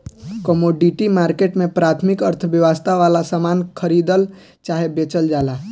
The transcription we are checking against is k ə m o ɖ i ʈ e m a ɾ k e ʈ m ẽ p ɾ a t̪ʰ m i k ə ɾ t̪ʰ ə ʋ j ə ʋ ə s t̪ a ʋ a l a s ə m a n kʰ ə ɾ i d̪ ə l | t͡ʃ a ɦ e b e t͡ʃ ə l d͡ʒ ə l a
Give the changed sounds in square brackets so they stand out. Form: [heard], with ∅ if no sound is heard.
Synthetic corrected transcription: k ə m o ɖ i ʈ [i] m a ɾ k e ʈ m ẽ p ɾ a t̪ʰ m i k ə ɾ t̪ʰ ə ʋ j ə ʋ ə s t̪ a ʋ a l a s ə m a n kʰ ə ɾ i d̪ ə l | t͡ʃ a ɦ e b e t͡ʃ ə l d͡ʒ [a] l a

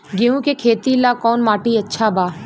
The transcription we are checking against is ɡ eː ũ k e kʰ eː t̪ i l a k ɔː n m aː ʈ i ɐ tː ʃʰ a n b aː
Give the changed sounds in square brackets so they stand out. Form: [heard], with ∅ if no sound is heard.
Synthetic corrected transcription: ɡ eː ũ k e kʰ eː t̪ i l a k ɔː n m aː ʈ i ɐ tː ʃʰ a [∅] b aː

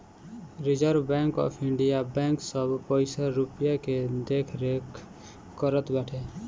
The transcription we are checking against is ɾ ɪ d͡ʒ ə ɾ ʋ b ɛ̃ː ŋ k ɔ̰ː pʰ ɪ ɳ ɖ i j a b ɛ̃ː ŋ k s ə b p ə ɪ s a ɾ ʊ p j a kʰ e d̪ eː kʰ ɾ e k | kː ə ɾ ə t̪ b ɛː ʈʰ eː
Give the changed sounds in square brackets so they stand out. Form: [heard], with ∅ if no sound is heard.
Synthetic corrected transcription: ɾ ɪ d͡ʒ ə ɾ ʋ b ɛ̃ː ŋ k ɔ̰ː pʰ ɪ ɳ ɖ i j a b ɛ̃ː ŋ k s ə b p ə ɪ s a ɾ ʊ p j a [k] e d̪ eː kʰ ɾ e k | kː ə ɾ ə t̪ b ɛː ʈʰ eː

